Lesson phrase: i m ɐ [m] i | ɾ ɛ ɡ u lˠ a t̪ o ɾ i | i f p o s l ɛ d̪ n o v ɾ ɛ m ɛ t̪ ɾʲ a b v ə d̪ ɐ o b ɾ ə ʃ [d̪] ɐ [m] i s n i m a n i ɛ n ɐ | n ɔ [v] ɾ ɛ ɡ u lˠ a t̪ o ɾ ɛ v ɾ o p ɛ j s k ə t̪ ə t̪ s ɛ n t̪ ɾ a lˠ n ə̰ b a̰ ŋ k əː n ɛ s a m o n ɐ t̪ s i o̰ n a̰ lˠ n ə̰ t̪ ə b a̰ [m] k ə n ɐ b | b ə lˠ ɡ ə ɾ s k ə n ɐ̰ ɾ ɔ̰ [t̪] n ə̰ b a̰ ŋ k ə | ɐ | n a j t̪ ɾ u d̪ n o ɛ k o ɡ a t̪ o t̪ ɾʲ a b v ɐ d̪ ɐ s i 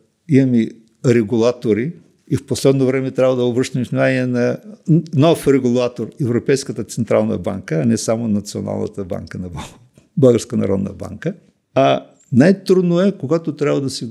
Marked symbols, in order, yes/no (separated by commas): yes, no, yes, no, no, no